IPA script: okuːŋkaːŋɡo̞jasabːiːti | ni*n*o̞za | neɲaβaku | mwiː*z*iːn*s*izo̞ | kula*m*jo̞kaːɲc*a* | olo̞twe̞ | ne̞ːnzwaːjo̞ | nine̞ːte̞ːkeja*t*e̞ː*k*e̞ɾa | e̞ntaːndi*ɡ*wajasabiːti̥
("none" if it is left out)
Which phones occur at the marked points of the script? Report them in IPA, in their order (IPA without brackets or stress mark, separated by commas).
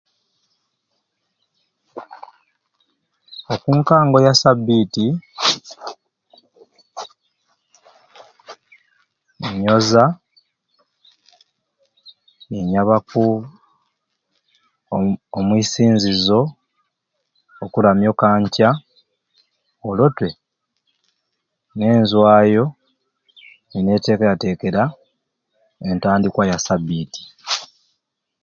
ɲ, s, z, m, a, t, k, k